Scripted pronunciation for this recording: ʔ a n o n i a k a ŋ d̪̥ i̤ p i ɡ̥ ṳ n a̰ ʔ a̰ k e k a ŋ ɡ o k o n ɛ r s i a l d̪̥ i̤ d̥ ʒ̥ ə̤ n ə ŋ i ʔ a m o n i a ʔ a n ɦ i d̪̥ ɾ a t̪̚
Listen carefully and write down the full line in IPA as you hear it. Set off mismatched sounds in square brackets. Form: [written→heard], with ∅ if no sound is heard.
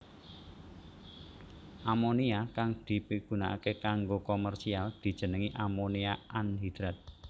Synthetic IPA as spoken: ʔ a [n→m] o n i a k a ŋ d̪̥ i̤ p i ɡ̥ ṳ n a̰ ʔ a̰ k e k a ŋ ɡ o k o [n→m] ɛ r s i a l d̪̥ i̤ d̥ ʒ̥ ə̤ n ə ŋ i ʔ a m o n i a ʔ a n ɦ i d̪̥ ɾ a t̪̚